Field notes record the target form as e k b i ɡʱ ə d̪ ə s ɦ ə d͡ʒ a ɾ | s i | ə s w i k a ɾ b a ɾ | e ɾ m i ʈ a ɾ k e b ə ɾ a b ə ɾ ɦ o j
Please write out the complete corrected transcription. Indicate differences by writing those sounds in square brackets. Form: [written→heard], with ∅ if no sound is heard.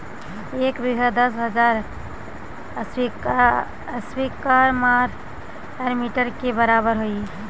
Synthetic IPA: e k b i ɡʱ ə d̪ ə s ɦ ə d͡ʒ a ɾ | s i | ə s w i k a ɾ [b→m] a ɾ | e ɾ m i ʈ [a→ə] ɾ k e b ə ɾ a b ə ɾ ɦ o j